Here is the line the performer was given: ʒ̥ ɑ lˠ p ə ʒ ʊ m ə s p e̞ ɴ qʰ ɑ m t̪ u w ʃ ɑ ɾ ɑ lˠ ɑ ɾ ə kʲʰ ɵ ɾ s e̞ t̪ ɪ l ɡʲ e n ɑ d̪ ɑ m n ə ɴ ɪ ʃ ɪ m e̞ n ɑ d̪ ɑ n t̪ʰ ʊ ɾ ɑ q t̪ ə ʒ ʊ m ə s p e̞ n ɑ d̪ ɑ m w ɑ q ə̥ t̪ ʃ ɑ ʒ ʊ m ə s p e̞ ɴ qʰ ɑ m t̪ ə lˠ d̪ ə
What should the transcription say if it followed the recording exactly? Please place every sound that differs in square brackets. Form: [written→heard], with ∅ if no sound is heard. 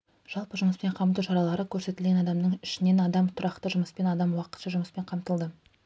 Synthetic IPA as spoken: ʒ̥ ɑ lˠ p ə ʒ ʊ m ə s p e̞ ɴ qʰ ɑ m t̪ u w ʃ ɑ ɾ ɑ lˠ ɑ ɾ ə kʲʰ ɵ ɾ s e̞ t̪ ɪ l ɡʲ e n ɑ d̪ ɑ m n ə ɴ ɪ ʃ ɪ [m→n] e̞ n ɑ d̪ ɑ [n→m] t̪ʰ ʊ ɾ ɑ q t̪ ə ʒ ʊ m ə s p e̞ n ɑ d̪ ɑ m w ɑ q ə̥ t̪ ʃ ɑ ʒ ʊ m ə s p e̞ ɴ qʰ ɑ m t̪ ə lˠ d̪ ə